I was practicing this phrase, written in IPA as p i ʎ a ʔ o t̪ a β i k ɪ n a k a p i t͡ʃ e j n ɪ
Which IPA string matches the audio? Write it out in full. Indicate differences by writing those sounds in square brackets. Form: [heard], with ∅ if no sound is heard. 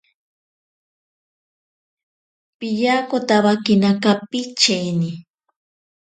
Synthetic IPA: p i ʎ a [k] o t̪ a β [a] k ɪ n a k a p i t͡ʃ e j n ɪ